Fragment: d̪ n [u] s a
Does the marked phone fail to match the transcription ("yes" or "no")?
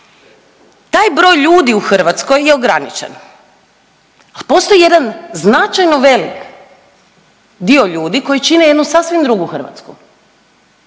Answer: no